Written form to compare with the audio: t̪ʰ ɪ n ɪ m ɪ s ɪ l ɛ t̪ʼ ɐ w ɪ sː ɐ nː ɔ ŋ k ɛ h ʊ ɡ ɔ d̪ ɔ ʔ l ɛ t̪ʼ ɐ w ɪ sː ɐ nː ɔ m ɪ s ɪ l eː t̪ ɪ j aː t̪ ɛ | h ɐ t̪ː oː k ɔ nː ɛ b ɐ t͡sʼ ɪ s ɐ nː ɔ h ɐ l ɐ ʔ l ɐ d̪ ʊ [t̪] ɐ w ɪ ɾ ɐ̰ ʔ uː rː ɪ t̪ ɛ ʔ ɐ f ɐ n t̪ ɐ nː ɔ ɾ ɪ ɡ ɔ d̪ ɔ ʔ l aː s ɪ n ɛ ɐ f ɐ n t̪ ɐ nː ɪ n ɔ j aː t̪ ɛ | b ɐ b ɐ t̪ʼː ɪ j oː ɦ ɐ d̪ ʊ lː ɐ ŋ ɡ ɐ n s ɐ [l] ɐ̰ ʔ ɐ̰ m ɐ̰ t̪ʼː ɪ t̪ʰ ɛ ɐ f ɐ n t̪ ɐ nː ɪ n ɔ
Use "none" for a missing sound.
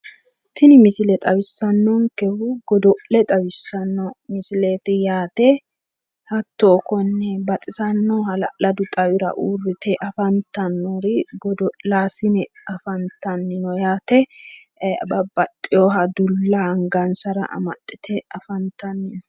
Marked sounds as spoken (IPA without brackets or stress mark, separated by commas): t̪ʼ, ɾ